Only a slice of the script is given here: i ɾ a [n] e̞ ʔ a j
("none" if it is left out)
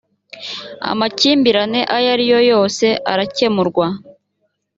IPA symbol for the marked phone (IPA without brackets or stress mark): n